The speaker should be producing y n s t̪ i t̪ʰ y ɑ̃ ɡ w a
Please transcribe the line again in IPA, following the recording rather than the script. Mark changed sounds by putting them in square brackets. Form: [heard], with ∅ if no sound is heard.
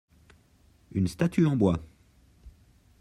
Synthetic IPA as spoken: y n s t̪ [a] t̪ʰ y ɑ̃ [b] w a